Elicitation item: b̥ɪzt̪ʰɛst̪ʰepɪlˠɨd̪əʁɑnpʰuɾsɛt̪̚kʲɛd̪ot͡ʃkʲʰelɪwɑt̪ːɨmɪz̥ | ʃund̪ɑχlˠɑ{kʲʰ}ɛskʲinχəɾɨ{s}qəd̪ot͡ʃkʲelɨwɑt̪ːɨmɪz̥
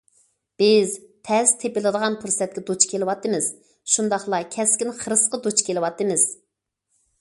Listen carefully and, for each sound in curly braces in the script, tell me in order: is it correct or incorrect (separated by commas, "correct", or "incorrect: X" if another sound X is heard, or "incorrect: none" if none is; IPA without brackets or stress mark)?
correct, correct